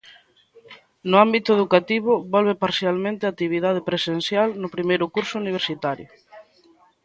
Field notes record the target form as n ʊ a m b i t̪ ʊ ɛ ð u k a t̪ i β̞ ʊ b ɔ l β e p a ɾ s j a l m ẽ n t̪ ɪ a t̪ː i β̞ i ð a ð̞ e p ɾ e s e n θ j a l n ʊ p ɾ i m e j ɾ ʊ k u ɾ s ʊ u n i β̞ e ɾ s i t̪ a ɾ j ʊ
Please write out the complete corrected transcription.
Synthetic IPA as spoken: n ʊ a m b i t̪ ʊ e ð u k a t̪ i β̞ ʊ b ɔ l β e p a ɾ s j a l m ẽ n t̪ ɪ a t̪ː i β̞ i ð a ð̞ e p ɾ e s e n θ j a l n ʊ p ɾ i m e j ɾ ʊ k u ɾ s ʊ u n i β̞ e ɾ s i t̪ a ɾ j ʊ